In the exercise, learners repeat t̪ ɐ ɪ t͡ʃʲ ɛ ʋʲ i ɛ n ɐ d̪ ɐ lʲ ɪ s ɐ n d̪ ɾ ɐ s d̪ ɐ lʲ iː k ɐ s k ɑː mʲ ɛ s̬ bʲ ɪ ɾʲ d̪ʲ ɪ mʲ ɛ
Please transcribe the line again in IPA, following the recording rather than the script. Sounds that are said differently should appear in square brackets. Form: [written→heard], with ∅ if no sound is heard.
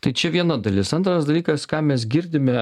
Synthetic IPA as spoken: t̪ ɐ ɪ t͡ʃʲ ɛ ʋʲ i ɛ n ɐ d̪ ɐ lʲ ɪ s ɐ n [d̪→t̪] ɾ ɐ s d̪ ɐ lʲ iː k ɐ s k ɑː mʲ ɛ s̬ [bʲ→ɡʲ] ɪ ɾʲ d̪ʲ ɪ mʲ ɛ